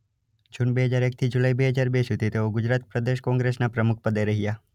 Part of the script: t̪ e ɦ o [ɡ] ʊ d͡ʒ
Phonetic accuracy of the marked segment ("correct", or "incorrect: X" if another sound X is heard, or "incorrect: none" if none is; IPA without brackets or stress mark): correct